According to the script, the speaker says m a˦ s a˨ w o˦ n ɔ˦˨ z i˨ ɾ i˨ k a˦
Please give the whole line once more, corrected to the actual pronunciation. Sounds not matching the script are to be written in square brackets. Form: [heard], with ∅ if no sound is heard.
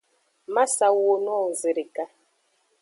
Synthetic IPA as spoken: m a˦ s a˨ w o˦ n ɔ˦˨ z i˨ ɾ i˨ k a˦